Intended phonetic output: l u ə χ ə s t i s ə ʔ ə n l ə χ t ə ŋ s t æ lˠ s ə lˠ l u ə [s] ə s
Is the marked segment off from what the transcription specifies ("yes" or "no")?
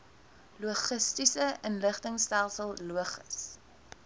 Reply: yes